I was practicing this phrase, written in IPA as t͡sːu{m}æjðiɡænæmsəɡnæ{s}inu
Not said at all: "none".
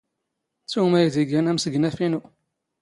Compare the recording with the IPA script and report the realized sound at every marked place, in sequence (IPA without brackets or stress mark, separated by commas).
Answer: m, f